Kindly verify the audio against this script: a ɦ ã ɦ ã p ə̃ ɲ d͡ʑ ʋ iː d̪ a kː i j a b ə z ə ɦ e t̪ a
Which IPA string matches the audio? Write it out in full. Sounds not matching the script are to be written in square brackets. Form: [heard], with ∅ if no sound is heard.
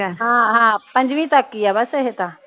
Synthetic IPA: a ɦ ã ɦ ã p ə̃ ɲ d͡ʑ ʋ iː [t̪] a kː i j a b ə [s] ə ɦ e t̪ a